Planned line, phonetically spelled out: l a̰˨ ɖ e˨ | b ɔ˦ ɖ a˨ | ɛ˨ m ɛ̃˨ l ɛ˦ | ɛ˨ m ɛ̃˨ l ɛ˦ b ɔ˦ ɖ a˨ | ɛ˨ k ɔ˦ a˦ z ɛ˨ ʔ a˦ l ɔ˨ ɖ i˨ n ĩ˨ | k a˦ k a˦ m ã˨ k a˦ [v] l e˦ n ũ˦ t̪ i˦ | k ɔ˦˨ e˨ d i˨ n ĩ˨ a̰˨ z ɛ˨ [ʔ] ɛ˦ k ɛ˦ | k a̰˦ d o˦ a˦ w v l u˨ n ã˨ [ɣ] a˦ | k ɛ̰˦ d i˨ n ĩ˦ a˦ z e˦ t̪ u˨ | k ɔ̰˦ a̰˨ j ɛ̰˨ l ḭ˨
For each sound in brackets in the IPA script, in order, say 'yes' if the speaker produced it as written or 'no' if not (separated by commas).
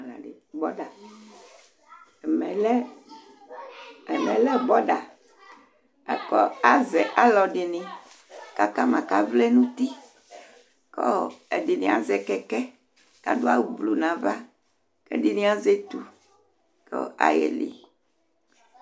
yes, no, no